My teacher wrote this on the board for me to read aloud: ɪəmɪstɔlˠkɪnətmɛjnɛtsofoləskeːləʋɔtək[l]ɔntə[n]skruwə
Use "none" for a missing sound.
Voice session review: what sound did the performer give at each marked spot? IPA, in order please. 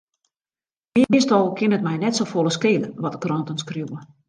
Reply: r, n

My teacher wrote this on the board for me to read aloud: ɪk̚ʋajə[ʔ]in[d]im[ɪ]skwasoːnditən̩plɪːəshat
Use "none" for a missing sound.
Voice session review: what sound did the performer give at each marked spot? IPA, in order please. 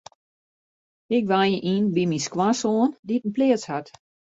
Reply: ʔ, b, i

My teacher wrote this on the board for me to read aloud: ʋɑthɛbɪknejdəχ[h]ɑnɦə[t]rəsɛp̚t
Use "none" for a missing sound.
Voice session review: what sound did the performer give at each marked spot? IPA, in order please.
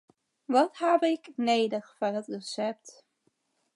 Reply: f, t

